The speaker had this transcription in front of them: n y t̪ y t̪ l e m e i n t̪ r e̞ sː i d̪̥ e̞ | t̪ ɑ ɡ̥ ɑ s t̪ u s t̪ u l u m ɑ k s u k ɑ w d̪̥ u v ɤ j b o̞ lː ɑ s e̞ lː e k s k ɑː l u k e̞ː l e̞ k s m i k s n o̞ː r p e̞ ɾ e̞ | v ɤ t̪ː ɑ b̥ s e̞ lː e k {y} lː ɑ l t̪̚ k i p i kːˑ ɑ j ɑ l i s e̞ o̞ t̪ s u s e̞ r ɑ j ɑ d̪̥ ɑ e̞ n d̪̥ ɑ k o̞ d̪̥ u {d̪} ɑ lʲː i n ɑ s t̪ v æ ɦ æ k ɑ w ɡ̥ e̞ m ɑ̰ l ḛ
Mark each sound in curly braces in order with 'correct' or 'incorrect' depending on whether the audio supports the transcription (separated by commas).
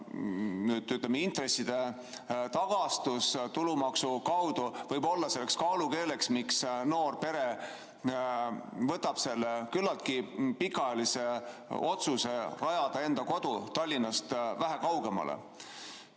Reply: correct, incorrect